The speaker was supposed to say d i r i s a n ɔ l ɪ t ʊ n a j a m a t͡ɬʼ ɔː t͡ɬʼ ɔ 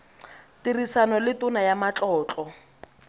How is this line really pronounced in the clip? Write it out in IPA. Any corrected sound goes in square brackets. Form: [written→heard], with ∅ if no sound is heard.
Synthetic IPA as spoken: [d→t] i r i s a n ɔ l ɪ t ʊ n a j a m a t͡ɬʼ ɔː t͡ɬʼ ɔ